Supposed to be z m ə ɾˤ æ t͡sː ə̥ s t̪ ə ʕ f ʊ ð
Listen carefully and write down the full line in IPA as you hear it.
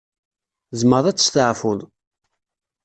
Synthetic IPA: z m ə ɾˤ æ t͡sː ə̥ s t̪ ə ʕ f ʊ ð